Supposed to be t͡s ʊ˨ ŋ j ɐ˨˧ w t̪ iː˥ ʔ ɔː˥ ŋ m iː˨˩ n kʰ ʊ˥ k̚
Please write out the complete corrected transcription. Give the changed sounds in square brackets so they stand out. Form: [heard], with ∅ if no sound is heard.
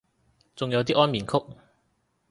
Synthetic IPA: t͡s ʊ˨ ŋ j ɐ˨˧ w t̪ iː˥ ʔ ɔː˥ [n] m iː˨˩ n kʰ ʊ˥ k̚